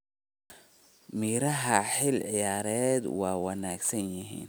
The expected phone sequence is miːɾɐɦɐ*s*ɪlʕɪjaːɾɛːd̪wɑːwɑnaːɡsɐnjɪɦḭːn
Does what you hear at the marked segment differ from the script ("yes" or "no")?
yes